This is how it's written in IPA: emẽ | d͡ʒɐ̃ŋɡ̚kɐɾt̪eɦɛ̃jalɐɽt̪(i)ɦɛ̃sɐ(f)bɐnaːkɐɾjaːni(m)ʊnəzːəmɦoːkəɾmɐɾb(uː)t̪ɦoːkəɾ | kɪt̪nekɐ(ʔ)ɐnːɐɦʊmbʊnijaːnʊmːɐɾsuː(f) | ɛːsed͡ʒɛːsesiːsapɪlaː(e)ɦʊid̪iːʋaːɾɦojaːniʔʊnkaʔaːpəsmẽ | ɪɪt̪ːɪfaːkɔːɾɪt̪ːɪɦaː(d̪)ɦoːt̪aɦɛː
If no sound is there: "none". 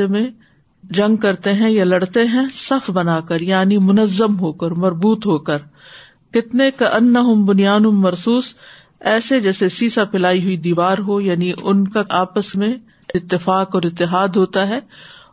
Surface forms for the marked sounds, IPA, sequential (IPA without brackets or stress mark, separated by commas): e, f, m, uː, ʔ, s, i, d̪